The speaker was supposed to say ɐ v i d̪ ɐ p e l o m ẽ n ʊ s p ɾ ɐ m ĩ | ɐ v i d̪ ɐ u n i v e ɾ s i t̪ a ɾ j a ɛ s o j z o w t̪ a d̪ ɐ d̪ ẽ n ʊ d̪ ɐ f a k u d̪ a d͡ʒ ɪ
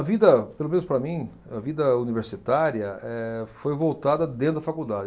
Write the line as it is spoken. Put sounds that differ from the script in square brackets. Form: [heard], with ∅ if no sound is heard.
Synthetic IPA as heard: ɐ v i d̪ ɐ p e l o m ẽ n ʊ s p ɾ ɐ m ĩ | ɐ v i d̪ ɐ u n i v e ɾ s i t̪ a ɾ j [ɐ] ɛ [f] o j [v] o w t̪ a d̪ ɐ d̪ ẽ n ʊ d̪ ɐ f a k u d̪ a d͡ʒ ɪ